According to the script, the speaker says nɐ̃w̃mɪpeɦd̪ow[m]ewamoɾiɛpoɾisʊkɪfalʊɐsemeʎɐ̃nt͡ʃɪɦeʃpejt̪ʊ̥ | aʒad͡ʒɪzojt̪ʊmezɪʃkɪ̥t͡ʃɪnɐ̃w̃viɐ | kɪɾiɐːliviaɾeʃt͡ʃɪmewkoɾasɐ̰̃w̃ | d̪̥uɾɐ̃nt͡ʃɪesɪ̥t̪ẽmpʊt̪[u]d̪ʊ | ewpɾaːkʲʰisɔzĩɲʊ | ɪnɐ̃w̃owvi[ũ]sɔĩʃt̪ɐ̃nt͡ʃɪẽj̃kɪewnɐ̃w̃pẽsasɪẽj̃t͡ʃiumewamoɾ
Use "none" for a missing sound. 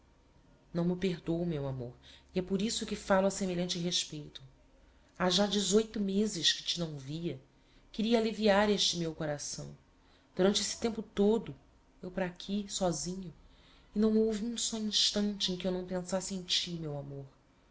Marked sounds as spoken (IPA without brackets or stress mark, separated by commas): m, o, ũ